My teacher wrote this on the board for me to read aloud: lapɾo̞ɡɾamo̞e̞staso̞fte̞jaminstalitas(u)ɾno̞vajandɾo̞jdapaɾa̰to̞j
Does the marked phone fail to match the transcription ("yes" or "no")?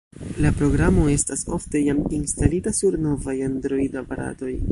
no